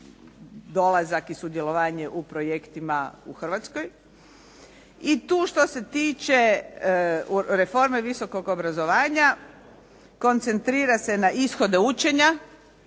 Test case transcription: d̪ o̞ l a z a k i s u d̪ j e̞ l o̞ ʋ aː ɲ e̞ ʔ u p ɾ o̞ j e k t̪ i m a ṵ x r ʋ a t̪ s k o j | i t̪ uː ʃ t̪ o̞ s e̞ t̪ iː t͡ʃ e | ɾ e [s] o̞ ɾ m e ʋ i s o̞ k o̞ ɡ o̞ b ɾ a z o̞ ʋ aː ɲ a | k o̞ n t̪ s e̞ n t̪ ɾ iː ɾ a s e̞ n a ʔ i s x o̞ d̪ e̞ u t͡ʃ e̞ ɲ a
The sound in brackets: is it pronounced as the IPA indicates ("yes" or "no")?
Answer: no